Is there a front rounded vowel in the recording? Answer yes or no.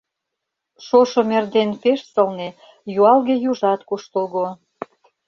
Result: no